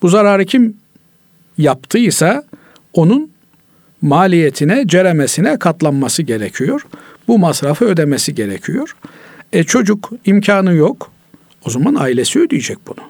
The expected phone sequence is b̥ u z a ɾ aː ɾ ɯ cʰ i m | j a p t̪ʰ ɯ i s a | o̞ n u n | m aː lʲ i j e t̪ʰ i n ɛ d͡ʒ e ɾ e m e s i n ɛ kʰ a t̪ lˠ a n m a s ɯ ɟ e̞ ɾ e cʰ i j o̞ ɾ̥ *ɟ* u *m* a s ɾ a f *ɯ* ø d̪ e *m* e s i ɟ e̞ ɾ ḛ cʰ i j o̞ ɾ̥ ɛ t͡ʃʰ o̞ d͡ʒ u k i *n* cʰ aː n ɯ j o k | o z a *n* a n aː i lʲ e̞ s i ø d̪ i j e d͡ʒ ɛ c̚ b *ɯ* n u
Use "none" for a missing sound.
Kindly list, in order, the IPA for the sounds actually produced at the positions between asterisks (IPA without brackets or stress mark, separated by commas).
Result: b, m, ɯ, m, m, m, u